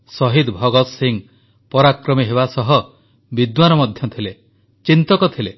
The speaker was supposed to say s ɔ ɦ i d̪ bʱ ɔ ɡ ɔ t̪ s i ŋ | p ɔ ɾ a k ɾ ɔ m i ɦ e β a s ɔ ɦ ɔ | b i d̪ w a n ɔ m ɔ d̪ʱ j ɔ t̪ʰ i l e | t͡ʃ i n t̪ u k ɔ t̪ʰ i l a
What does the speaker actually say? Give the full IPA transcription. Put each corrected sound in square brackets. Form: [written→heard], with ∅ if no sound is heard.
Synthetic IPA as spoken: s ɔ ɦ i d̪ bʱ ɔ ɡ ɔ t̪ s i ŋ | p ɔ ɾ a k ɾ ɔ m i ɦ e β a s ɔ ɦ ɔ | b i d̪ w a n ɔ m ɔ d̪ʱ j ɔ t̪ʰ i l e | t͡ʃ i n t̪ [u→ɔ] k ɔ t̪ʰ i l [a→e]